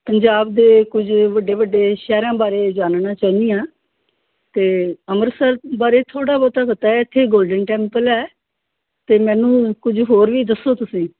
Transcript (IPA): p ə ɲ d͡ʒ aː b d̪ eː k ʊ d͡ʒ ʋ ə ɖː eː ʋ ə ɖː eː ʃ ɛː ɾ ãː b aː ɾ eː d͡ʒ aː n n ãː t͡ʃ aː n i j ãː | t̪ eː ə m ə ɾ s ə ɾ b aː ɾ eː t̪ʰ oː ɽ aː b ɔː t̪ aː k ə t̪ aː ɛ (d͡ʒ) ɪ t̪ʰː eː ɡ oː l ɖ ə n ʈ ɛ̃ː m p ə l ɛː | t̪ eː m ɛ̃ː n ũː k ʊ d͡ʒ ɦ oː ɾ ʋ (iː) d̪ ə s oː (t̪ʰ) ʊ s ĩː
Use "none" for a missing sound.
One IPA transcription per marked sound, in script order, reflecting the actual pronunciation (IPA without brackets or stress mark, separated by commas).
none, iː, t̪